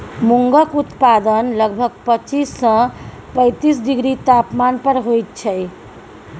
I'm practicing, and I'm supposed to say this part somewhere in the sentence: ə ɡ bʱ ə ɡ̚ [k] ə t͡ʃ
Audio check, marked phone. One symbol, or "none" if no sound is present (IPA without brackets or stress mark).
p